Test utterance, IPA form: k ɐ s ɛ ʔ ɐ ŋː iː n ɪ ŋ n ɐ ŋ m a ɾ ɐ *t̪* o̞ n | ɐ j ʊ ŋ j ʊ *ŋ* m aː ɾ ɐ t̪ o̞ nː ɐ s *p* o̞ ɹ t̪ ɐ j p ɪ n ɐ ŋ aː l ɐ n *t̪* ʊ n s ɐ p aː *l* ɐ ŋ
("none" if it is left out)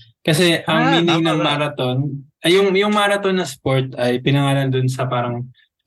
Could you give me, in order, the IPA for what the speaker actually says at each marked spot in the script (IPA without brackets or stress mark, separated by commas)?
t̪, ŋ, p, d̪, ɾ